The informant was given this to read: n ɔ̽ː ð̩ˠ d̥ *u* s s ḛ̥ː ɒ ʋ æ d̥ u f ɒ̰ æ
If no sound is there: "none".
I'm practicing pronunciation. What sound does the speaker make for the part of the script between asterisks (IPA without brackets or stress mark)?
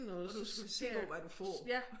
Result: u